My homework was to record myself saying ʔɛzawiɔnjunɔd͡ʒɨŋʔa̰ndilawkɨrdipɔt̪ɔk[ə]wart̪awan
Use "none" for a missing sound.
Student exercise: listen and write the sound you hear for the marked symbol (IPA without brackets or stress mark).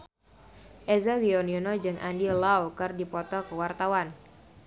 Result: ə